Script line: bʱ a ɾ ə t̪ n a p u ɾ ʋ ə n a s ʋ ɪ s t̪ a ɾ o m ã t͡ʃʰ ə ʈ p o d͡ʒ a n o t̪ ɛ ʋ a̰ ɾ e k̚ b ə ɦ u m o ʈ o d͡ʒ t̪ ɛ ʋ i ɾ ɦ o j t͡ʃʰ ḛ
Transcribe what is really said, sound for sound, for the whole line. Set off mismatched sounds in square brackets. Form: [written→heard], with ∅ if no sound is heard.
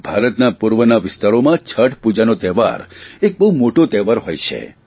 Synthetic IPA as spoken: bʱ a ɾ ə t̪ n a p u ɾ ʋ ə n a [s→∅] ʋ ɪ s t̪ a ɾ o m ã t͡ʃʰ ə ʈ p [o→u] d͡ʒ a n o t̪ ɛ ʋ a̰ ɾ e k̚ b ə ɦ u m o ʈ o [d͡ʒ→∅] t̪ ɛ ʋ [i→a] ɾ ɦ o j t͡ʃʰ ḛ